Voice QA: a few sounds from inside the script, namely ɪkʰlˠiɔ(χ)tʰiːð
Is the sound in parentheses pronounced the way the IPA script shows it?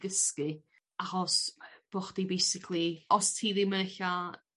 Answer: no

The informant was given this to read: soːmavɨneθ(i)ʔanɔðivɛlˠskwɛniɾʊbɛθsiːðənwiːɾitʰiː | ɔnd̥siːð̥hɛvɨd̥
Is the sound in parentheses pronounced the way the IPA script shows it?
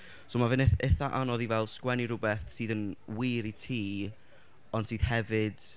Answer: no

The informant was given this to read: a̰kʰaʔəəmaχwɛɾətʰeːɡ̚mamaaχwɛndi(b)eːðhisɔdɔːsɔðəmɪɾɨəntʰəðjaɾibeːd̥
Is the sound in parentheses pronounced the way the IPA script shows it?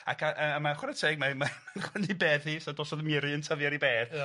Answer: yes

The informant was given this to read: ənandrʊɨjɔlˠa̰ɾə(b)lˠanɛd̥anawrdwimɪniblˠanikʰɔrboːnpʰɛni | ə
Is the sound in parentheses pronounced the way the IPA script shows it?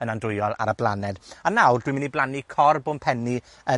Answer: yes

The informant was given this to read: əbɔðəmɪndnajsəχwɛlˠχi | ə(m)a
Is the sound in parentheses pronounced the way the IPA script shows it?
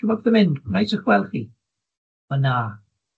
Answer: no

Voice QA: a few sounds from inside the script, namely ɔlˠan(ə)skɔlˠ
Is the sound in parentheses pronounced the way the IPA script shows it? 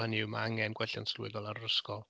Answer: yes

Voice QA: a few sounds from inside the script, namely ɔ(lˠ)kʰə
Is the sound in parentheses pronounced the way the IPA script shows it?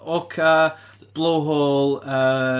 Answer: no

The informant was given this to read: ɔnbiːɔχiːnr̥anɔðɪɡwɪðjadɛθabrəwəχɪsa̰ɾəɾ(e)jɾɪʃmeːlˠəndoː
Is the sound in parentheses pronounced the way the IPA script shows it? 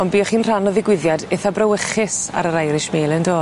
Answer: no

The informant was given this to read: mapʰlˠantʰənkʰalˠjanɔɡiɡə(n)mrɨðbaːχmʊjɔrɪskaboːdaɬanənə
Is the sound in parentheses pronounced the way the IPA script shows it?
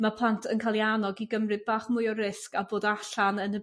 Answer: no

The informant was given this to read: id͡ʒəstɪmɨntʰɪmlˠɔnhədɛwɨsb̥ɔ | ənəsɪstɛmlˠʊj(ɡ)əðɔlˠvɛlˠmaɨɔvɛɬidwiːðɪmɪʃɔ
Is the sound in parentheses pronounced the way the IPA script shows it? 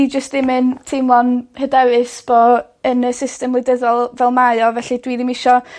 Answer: no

